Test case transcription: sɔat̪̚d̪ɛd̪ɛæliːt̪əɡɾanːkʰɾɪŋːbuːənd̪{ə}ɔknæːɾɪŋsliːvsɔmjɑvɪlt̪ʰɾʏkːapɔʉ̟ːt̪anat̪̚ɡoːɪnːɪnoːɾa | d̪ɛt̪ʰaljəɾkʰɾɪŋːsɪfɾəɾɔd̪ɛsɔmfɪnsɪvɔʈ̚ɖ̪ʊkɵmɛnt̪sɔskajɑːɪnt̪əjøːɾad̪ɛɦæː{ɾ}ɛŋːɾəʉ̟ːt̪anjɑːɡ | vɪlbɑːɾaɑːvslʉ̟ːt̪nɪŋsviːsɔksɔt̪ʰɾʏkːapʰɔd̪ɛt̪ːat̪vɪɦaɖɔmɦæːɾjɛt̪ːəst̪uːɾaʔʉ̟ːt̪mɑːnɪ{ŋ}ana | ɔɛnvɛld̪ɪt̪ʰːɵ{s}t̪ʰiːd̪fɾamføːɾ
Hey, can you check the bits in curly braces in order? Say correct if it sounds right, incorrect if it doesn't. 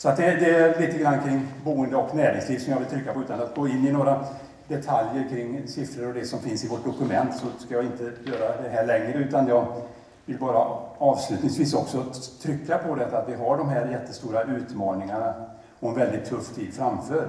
correct, incorrect: ɭ, correct, incorrect: f

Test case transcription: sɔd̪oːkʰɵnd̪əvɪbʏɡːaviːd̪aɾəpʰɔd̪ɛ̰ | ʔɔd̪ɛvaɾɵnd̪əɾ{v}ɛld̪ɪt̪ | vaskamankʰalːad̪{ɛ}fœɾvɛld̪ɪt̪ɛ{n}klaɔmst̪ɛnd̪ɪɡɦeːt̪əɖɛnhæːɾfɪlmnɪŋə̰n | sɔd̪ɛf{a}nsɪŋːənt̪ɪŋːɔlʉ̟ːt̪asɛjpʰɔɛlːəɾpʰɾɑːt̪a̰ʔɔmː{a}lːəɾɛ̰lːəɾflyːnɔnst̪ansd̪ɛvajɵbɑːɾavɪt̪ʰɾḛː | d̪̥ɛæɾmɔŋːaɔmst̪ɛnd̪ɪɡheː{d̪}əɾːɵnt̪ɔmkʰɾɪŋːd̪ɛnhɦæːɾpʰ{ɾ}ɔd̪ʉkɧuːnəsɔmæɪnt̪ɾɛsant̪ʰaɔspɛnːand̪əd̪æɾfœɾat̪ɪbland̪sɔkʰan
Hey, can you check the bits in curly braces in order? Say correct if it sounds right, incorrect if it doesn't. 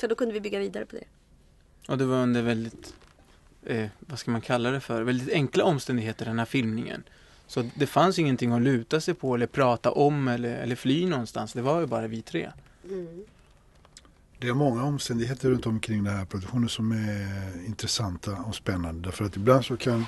correct, correct, incorrect: ŋ, correct, incorrect: ɛ, incorrect: t̪, correct

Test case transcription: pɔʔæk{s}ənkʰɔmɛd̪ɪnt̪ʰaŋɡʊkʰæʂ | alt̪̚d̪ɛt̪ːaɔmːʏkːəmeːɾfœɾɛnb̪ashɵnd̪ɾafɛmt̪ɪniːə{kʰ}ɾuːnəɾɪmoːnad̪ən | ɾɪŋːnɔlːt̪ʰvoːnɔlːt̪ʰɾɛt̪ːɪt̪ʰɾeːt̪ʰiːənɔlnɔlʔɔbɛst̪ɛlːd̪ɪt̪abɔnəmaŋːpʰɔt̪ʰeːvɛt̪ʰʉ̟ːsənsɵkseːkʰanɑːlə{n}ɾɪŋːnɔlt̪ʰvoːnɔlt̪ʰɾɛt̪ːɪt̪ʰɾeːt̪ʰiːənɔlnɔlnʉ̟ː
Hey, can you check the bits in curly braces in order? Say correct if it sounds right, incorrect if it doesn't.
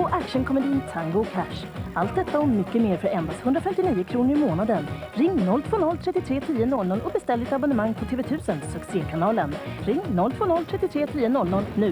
incorrect: ʂ, correct, correct

